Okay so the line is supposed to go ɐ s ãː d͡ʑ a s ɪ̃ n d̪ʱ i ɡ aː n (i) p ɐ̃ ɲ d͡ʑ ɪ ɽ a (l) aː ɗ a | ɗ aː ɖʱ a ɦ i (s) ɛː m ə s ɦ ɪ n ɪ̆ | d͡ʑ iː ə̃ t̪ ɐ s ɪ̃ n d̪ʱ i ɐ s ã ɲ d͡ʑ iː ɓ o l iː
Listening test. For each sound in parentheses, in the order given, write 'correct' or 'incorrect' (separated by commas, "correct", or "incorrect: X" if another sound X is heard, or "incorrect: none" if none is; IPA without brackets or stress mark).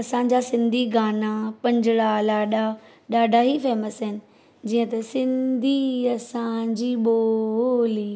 incorrect: a, correct, incorrect: f